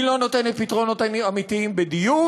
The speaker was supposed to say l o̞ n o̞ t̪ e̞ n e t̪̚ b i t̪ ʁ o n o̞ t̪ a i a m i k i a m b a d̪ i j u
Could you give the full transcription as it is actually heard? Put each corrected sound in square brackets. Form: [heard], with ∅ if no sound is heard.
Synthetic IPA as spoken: l o̞ n o̞ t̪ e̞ n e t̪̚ [p] i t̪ ʁ o n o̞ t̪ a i a m i [t] i [i] m b [e] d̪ i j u